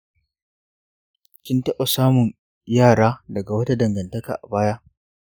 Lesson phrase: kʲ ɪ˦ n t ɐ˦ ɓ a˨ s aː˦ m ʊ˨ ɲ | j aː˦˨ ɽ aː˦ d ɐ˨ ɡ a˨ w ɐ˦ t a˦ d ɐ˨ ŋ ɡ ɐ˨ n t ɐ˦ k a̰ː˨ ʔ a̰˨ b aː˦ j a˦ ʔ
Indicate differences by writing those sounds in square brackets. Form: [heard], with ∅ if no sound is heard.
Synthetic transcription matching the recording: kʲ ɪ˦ n t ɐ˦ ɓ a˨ s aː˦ m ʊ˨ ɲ | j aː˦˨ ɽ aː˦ d ɐ˨ ɡ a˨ w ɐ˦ t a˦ d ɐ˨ ŋ ɡ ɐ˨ n t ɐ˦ k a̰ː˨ ʔ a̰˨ b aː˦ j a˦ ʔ